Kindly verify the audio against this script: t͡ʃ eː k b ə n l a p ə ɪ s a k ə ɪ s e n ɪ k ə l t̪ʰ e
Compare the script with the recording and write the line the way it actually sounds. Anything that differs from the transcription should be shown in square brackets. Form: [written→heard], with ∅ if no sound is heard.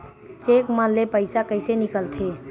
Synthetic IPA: t͡ʃ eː k [b→m] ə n l [a→e] p ə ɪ s a k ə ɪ s e n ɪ k ə l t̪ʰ e